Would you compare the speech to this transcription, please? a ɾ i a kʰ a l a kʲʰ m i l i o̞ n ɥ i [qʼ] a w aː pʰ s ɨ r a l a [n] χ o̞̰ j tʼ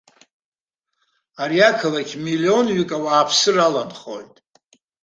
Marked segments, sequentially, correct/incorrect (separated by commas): incorrect, correct